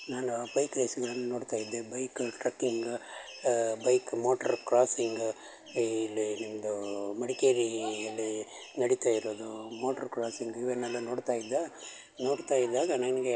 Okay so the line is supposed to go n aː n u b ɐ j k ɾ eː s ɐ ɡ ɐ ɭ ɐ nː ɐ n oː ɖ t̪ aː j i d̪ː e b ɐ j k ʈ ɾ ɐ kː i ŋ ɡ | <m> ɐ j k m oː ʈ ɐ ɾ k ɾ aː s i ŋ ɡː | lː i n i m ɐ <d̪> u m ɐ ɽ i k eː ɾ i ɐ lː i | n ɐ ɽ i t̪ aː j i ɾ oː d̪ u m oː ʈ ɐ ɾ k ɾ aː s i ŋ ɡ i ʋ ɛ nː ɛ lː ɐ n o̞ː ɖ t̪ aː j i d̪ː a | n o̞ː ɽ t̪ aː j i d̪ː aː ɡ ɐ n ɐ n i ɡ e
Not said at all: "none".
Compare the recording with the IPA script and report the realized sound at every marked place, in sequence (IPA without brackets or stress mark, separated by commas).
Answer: b, d̪